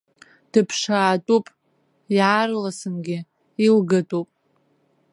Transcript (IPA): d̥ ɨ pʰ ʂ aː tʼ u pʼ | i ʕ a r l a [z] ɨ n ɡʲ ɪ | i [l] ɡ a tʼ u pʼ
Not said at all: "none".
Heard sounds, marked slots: s, l

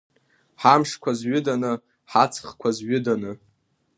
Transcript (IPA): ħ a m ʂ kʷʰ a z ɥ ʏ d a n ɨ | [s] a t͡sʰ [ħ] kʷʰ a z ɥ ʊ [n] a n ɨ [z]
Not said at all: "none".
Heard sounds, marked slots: ħ, χ, d, none

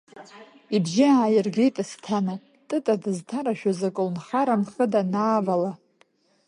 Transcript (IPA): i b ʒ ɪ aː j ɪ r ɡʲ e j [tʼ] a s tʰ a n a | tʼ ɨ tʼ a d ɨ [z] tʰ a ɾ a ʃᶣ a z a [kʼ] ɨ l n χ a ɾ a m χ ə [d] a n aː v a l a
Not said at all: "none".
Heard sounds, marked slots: tʼ, z, kʼ, d

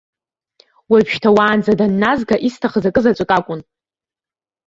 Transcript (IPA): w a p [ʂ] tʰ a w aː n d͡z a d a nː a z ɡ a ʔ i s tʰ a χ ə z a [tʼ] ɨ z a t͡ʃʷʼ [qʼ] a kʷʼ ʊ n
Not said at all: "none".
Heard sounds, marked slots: ʃ, kʼ, kʼ

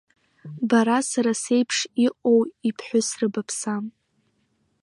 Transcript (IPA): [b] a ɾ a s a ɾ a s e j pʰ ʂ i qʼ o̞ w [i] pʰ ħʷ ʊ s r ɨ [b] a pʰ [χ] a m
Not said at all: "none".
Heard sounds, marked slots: b, i, b, s

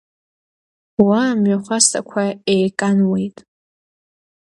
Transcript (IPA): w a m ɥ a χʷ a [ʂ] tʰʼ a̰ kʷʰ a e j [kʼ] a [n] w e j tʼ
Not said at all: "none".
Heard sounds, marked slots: s, kʼ, n

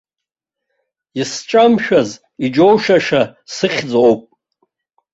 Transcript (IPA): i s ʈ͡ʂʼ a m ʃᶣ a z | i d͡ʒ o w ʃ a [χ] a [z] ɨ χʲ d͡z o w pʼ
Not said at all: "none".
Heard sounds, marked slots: ʂ, s

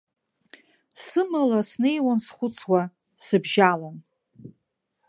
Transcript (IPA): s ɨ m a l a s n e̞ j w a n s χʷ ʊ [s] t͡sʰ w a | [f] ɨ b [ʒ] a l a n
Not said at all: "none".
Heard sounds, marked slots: none, s, ʒ

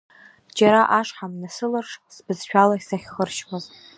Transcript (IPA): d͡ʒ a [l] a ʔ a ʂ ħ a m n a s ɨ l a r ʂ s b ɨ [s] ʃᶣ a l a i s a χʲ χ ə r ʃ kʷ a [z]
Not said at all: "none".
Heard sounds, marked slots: ɾ, z, z

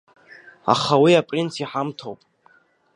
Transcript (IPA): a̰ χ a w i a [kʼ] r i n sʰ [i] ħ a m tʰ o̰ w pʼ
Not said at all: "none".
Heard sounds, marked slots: pʼ, i

